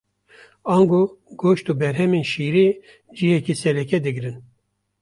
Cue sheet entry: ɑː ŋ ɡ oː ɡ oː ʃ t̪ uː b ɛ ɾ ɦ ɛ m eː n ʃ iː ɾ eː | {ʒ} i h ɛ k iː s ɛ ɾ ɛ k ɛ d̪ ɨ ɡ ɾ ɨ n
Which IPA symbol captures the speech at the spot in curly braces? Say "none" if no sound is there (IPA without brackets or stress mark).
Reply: d͡ʒ